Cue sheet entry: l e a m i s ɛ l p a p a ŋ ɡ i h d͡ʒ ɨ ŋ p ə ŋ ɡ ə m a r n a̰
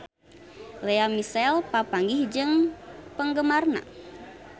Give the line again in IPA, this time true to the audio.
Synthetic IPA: l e a m i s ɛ l p a p a ŋ ɡ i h d͡ʒ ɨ ŋ p ə ŋ ɡ ə m a r n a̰

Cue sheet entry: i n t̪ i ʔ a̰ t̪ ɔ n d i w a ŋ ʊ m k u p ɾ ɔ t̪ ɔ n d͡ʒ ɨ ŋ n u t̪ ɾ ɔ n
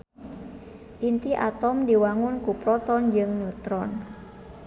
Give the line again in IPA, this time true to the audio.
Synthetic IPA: i n t̪ i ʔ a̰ t̪ ɔ m d i w a ŋ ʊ n k u p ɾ ɔ t̪ ɔ n d͡ʒ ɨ ŋ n u t̪ ɾ ɔ n

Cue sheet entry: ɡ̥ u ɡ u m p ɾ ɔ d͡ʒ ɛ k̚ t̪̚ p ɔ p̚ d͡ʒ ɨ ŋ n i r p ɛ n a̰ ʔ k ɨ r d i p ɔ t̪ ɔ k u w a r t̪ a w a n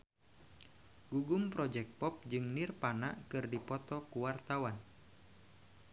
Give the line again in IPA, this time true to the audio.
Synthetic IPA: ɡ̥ u ɡ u m p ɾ ɔ d͡ʒ ɛ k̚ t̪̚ p ɔ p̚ d͡ʒ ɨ ŋ n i r p a n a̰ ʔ k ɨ r d i p ɔ t̪ ɔ k u w a r t̪ a w a n

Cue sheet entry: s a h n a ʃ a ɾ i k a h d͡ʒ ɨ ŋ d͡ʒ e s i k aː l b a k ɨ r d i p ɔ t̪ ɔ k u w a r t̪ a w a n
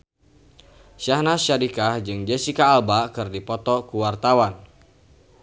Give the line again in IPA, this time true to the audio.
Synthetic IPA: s a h n a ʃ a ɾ i k a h d͡ʒ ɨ ŋ d͡ʒ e s i k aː l b a k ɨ r d i p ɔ t̪ ɔ k u w a r t̪ a w a n

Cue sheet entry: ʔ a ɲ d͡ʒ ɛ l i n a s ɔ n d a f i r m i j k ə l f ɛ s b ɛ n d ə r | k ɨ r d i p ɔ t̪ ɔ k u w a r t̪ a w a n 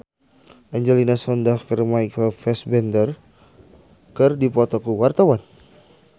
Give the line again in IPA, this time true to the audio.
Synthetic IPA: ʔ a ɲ d͡ʒ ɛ l i n a s ɔ n d a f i r m a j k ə l f ɛ s b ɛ n d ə r | k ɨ r d i p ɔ t̪ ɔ k u w a r t̪ a w a n

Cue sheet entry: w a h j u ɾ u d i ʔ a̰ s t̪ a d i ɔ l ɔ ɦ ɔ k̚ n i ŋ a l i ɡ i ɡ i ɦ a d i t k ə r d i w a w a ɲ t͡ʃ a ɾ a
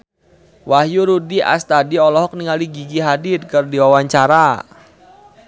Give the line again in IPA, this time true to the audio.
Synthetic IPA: w a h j u ɾ u d i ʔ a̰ s t̪ a d i ɔ l ɔ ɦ ɔ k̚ n i ŋ a l i ɡ i ɡ i ɦ a d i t k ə r d i w a w a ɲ t͡ʃ a ɾ a

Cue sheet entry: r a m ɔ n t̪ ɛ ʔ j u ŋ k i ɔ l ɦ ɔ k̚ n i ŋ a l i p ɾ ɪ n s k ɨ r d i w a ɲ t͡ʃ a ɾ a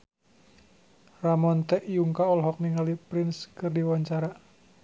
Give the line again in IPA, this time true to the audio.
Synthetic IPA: r a m ɔ n t̪ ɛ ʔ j u ŋ k a ɔ l ɦ ɔ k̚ n i ŋ a l i p ɾ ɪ n s k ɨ r d i w a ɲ t͡ʃ a ɾ a

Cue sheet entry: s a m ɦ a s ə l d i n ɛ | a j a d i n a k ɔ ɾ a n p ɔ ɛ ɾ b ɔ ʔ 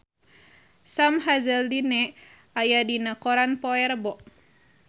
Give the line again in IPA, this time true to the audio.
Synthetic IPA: s a m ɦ a z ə l d i n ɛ | a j a d i n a k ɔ ɾ a n p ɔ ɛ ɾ b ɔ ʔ

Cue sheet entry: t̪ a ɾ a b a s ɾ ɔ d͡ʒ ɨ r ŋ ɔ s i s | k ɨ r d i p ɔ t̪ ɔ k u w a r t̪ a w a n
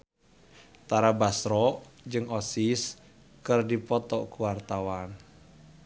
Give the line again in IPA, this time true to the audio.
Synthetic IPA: t̪ a ɾ a b a s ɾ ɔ d͡ʒ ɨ ŋ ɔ s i s | k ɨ r d i p ɔ t̪ ɔ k u w a r t̪ a w a n

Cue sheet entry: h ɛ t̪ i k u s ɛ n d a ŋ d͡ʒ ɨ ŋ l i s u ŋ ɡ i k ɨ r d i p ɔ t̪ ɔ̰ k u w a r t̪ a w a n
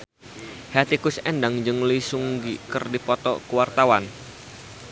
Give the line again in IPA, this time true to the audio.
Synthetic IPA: h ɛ t̪ i k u s ɛ n d a ŋ d͡ʒ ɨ ŋ l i s u ŋ ɡ i k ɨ r d i p ɔ t̪ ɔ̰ k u w a r t̪ a w a n

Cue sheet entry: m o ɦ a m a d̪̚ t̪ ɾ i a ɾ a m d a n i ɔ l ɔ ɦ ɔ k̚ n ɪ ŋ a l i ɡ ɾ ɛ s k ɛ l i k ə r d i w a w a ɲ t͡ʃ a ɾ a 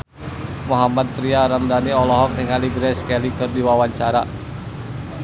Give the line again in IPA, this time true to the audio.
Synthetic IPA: m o ɦ a m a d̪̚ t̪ ɾ i a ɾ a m d a n i ɔ l ɔ ɦ ɔ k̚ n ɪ ŋ a l i ɡ ɾ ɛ s k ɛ l i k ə r d i w a w a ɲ t͡ʃ a ɾ a

